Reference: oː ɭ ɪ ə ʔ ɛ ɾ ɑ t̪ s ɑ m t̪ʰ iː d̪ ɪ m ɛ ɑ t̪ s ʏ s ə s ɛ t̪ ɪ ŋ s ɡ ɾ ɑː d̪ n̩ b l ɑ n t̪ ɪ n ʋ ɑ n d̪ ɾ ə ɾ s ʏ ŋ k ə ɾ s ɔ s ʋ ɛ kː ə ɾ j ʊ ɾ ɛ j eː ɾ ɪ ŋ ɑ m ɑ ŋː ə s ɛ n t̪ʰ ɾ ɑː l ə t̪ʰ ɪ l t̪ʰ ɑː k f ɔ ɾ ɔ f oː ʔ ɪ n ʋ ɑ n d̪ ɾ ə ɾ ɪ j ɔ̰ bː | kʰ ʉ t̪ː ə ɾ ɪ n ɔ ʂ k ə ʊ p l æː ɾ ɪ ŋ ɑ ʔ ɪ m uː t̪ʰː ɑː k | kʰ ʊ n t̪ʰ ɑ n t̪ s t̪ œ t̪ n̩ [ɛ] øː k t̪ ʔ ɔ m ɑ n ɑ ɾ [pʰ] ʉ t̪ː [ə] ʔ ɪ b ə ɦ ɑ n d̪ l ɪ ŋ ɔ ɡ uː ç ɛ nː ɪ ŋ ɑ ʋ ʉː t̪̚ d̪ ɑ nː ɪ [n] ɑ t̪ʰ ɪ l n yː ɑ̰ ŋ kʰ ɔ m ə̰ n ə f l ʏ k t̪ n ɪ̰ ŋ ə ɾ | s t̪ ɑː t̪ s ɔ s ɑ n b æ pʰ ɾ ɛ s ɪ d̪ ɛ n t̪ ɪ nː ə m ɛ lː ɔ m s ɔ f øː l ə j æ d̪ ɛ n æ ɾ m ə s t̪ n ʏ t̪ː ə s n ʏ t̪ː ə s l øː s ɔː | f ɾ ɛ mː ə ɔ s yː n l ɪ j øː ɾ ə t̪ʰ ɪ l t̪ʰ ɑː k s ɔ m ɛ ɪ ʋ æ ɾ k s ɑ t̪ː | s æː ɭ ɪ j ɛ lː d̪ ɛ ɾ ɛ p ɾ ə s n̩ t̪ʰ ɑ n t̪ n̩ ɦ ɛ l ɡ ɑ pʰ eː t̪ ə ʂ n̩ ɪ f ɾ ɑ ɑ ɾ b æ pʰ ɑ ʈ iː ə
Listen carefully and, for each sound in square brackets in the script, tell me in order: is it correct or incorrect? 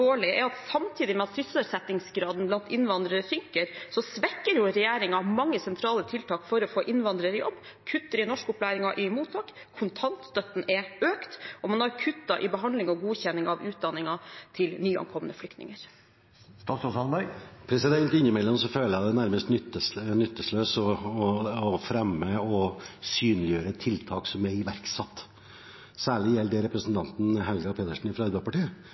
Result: correct, incorrect, incorrect, incorrect

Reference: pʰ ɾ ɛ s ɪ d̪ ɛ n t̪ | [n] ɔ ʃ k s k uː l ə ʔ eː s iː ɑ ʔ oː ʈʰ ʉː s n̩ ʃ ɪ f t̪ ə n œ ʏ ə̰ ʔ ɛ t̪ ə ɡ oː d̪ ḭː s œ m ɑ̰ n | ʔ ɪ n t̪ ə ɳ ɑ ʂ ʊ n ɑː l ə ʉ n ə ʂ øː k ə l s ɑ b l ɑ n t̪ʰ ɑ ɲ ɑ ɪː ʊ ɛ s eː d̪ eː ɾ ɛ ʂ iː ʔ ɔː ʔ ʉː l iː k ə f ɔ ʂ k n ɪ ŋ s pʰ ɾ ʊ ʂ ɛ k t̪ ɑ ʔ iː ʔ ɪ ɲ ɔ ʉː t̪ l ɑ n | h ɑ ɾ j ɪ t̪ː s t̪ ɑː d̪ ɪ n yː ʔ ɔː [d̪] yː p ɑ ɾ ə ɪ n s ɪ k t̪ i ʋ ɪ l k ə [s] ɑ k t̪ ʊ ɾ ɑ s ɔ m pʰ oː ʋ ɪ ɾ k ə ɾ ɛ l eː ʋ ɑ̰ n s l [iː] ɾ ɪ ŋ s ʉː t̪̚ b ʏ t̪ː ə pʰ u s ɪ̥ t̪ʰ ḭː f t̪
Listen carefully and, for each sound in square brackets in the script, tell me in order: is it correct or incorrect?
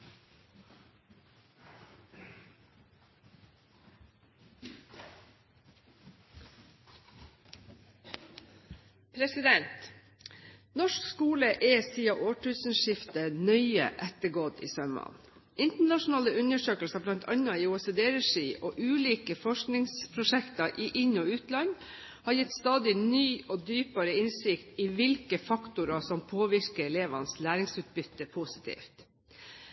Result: correct, correct, incorrect, incorrect

